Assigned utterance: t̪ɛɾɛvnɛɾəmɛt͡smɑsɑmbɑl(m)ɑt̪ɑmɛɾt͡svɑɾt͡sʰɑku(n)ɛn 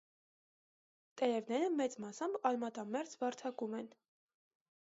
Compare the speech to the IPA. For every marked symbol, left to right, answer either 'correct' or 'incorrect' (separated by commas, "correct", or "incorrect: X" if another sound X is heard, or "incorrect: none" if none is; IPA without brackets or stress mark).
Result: correct, incorrect: m